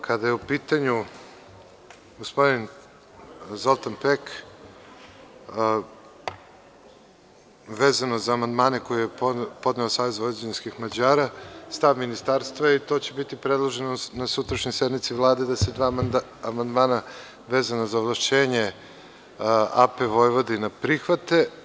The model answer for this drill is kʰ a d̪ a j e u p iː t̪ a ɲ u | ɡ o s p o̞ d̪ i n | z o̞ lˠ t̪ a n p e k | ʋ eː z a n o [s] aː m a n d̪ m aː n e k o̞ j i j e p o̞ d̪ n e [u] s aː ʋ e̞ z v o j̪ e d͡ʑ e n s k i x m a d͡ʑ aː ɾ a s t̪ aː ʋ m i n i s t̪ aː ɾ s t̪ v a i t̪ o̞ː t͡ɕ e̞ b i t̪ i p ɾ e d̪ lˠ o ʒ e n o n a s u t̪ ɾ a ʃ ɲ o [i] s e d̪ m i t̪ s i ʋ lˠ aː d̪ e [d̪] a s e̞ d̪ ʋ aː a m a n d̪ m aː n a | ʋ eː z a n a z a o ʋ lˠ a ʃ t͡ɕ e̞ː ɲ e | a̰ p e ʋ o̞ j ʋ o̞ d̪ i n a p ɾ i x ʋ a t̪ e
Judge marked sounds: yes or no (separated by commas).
no, no, no, yes